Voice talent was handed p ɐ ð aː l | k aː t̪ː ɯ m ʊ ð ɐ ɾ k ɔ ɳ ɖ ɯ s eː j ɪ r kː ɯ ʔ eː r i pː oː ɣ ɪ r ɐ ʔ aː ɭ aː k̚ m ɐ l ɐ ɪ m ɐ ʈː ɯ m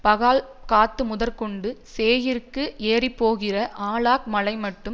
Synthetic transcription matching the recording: p ɐ ɣ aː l | k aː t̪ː ɯ m ʊ ð ɐ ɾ k ɔ ɳ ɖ ɯ s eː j ɪ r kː ɯ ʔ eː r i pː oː ɣ ɪ r ɐ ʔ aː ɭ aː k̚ m ɐ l ɐ ɪ m ɐ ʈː ɯ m

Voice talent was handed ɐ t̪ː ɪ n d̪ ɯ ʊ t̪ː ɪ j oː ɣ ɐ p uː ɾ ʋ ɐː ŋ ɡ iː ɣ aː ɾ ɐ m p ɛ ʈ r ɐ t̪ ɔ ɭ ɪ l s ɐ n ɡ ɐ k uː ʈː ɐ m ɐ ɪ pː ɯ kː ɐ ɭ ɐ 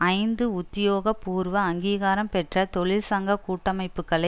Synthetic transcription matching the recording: ɐ ɪ n d̪ ɯ ʊ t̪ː ɪ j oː ɣ ɐ p uː ɾ ʋ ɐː ŋ ɡ iː ɣ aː ɾ ɐ m p ɛ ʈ r ɐ t̪ ɔ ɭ ɪ l s ɐ ŋ ɡ ɐ k uː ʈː ɐ m ɐ ɪ pː ɯ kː ɐ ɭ ɐ

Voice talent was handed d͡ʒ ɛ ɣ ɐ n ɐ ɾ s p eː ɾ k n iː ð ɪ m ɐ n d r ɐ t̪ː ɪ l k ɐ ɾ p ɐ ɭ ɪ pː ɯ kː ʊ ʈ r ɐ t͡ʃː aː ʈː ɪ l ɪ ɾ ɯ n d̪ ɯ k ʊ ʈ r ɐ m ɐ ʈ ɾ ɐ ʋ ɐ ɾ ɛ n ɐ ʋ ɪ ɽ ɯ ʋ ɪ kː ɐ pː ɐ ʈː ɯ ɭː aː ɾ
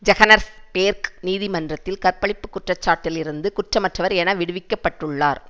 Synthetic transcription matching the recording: d͡ʒ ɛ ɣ ɐ n ɐ ɾ s p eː ɾ k n iː ð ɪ m ɐ n d r ɐ t̪ː ɪ l k ɐ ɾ p ɐ ɭ ɪ pː ɯ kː ʊ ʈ r ɐ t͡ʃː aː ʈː ɪ l ɪ ɾ ɯ n d̪ ɯ k ʊ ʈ r ɐ m ɐ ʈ r ɐ ʋ ɐ ɾ ɛ n ɐ ʋ ɪ ɽ ɯ ʋ ɪ kː ɐ pː ɐ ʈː ɯ ɭː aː ɾ

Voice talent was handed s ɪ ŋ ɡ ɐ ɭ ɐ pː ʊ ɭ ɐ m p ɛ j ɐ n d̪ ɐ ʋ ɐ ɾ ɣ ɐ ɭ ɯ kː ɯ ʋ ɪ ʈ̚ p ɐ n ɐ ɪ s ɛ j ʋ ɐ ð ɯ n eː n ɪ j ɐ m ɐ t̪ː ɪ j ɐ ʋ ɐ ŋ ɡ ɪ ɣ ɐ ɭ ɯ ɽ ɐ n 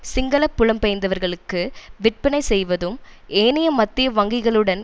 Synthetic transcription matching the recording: s ɪ ŋ ɡ ɐ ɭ ɐ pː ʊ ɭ ɐ m p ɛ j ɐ n d̪ ɐ ʋ ɐ ɾ ɣ ɐ ɭ ɯ kː ɯ ʋ ɪ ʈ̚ p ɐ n ɐ ɪ s ɛ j ʋ ɐ ð ɯ m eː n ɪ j ɐ m ɐ t̪ː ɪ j ɐ ʋ ɐ ŋ ɡ ɪ ɣ ɐ ɭ ɯ ɽ ɐ n

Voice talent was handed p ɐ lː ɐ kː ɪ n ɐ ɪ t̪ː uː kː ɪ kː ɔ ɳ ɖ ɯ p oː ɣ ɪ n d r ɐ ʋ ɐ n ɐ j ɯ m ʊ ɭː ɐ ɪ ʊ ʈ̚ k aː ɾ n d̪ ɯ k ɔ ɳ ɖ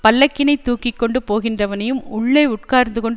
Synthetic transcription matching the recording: p ɐ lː ɐ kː ɪ n ɐ ɪ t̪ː uː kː ɪ kː ɔ ɳ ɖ ɯ p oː ɣ ɪ n d r ɐ ʋ ɐ n ɐ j ɯ m ʊ ɭː ɐ ɪ ʊ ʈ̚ k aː ɾ n d̪ ɯ k ɔ ɳ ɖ

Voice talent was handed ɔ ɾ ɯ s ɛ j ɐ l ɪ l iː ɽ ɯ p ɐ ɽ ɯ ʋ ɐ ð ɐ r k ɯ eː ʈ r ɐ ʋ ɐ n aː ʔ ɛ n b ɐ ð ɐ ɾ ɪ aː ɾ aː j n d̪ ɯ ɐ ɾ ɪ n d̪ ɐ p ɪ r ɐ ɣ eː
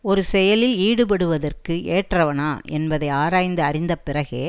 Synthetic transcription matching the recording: ɔ ɾ ɯ s ɛ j ɐ l ɪ l iː ɽ ɯ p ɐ ɽ ɯ ʋ ɐ ð ɐ r k ɯ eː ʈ r ɐ ʋ ɐ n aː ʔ ɛ n b ɐ ð ɐ ɪ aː ɾ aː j n d̪ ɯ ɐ ɾ ɪ n d̪ ɐ p ɪ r ɐ ɣ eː

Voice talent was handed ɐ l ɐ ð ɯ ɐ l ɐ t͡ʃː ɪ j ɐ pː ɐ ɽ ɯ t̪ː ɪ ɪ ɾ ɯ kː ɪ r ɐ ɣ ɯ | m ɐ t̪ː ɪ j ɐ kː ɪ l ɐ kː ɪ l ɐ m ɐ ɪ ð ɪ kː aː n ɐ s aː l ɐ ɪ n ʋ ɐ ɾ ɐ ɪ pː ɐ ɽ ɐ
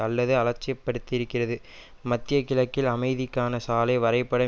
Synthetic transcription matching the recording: ɐ lː ɐ ð ɯ ɐ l ɐ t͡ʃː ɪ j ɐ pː ɐ ɽ ɯ t̪ː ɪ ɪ ɾ ɯ kː ɪ r ɐ ð ɯ | m ɐ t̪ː ɪ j ɐ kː ɪ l ɐ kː ɪ l ɐ m ɐ ɪ ð ɪ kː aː n ɐ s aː l ɐ ɪ ʋ ɐ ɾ ɐ ɪ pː ɐ ɽ ɐ

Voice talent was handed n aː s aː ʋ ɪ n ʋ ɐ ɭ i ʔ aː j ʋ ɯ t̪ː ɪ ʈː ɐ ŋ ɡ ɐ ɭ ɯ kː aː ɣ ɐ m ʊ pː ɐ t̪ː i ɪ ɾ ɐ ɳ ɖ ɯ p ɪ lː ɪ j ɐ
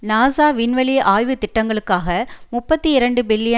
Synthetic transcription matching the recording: n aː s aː ʋ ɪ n ʋ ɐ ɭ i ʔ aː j ʋ ɯ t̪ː ɪ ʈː ɐ ŋ ɡ ɐ ɭ ɯ kː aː ɣ ɐ m ʊ pː ɐ t̪ː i ɪ ɾ ɐ ɳ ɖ ɯ b ɪ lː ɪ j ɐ

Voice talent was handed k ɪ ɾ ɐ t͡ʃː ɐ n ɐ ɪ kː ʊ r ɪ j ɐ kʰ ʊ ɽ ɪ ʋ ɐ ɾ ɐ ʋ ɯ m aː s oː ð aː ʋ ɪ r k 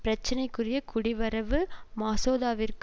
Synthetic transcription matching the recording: p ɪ ɾ ɐ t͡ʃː ɐ n ɐ ɪ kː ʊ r ɪ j ɐ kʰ ʊ ɽ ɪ ʋ ɐ ɾ ɐ ʋ ɯ m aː s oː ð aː ʋ ɪ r k

